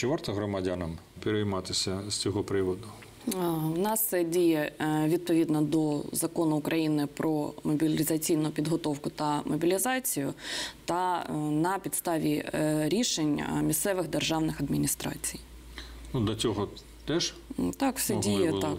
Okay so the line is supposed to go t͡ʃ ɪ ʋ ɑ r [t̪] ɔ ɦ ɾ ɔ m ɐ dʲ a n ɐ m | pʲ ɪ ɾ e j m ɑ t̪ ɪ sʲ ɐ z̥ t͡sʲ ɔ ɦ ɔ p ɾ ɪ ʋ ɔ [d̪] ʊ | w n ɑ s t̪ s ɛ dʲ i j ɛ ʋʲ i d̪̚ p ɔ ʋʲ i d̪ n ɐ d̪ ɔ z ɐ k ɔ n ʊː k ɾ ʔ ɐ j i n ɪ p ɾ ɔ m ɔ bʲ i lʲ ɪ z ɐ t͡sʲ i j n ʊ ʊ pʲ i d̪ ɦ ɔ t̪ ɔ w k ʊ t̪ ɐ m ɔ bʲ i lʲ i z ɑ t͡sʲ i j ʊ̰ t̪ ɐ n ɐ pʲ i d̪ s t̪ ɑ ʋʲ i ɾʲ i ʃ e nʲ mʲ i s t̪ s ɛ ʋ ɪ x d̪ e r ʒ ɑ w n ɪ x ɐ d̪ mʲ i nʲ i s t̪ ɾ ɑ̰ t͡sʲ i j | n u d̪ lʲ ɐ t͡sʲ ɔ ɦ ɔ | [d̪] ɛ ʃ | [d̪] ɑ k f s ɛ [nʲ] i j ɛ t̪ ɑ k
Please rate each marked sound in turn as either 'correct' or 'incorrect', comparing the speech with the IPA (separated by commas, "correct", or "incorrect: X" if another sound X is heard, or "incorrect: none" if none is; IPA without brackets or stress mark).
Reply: correct, correct, incorrect: t̪, incorrect: t̪, incorrect: dʲ